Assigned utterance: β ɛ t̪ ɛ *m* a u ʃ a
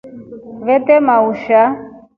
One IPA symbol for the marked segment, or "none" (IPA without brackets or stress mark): m